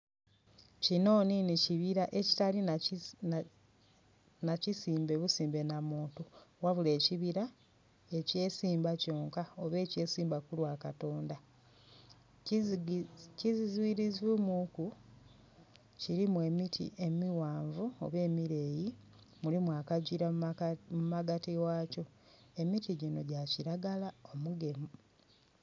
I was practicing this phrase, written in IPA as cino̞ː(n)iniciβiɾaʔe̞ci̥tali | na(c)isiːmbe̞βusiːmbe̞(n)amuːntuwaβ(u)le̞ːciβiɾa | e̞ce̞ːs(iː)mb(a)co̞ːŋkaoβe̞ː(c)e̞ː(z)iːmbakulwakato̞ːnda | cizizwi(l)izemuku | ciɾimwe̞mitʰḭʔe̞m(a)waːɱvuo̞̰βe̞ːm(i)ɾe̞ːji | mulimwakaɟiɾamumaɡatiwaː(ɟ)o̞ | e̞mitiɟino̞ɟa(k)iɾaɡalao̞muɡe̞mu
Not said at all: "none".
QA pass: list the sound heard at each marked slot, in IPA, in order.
n, c, n, u, iː, a, c, s, ɾ, i, i, c, c

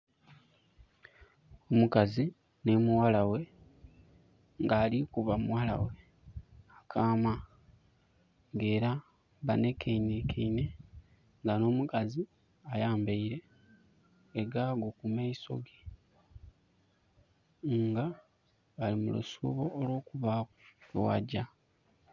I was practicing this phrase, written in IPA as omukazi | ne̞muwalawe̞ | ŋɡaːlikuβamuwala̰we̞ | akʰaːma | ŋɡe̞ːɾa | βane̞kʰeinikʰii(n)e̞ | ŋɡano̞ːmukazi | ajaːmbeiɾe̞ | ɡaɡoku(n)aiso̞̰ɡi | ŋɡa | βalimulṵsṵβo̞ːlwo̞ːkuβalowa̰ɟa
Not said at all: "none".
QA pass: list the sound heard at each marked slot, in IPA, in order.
n, m

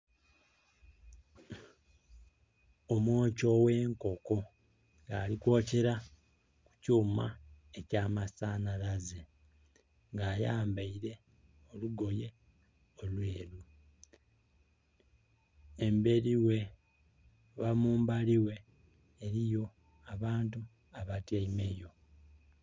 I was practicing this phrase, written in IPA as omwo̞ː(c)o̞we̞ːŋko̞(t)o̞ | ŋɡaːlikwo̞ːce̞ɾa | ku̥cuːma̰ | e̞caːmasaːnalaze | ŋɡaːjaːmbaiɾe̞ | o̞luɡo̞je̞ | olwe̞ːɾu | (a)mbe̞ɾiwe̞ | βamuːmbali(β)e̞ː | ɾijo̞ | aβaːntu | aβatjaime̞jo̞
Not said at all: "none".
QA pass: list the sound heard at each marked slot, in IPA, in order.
c, k, e, w

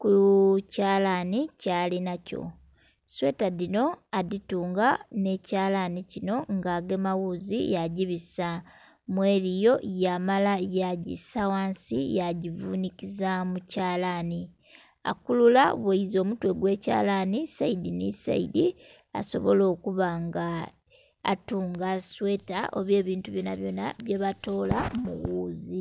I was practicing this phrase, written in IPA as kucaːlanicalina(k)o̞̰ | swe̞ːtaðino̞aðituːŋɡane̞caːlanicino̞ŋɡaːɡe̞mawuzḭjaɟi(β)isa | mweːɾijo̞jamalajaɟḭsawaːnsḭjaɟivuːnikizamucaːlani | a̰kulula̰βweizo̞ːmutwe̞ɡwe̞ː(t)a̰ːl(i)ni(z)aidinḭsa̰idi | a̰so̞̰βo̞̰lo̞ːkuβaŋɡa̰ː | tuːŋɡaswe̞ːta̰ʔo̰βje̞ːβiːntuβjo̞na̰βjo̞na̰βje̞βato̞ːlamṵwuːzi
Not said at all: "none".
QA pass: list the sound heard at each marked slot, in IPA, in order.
c, β, c, a, s

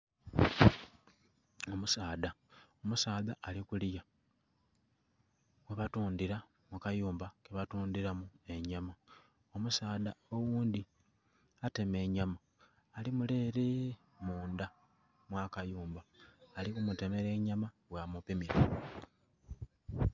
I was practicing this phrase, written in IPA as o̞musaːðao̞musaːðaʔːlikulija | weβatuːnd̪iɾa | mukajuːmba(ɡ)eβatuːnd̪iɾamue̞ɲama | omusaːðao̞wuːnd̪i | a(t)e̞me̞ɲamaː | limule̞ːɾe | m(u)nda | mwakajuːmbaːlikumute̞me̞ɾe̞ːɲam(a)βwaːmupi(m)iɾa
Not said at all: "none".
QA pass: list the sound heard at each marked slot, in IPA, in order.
k, t, uː, a, m

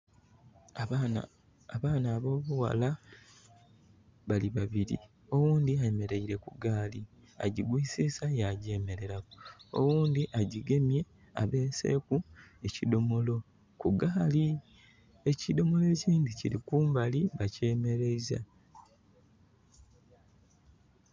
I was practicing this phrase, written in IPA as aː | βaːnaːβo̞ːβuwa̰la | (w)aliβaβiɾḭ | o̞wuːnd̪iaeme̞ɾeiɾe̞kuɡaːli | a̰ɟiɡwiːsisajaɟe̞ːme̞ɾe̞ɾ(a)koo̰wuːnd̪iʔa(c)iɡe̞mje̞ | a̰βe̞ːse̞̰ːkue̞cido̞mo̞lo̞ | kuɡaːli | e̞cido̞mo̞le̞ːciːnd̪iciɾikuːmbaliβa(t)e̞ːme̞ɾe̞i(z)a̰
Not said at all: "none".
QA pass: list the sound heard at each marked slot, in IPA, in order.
β, a, ɟ, c, z

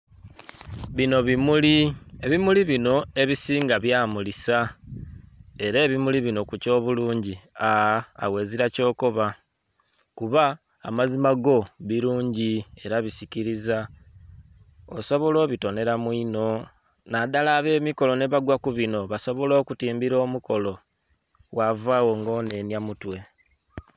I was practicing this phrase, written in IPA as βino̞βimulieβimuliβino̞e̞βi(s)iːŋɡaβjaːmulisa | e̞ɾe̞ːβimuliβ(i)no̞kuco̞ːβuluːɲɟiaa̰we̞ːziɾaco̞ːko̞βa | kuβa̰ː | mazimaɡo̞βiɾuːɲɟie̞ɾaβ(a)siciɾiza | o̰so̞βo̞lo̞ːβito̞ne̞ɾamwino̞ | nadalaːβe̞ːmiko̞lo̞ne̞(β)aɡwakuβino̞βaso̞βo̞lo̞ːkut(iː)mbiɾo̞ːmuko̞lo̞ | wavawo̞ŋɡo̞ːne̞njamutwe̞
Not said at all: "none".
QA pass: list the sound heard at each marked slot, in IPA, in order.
s, i, i, β, iː

